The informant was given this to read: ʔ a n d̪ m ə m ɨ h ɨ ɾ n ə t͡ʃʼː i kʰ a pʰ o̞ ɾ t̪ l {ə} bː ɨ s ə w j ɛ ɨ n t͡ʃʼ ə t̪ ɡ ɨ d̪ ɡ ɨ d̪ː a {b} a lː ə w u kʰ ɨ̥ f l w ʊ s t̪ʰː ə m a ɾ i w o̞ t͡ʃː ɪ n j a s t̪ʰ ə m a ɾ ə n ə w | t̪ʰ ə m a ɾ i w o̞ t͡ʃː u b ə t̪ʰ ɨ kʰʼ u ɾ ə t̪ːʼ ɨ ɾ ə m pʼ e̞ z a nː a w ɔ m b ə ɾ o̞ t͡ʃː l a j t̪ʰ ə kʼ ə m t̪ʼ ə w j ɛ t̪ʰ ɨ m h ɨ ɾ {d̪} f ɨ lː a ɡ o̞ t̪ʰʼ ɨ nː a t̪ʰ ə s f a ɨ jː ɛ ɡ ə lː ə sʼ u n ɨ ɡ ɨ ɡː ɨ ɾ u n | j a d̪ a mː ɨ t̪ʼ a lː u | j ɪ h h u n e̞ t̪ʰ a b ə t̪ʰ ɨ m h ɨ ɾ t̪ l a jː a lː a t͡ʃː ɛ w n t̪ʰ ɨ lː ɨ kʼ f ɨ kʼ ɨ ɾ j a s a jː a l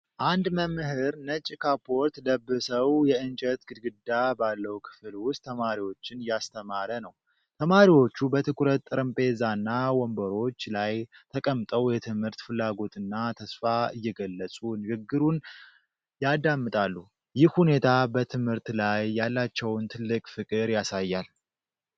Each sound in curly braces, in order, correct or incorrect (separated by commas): correct, correct, incorrect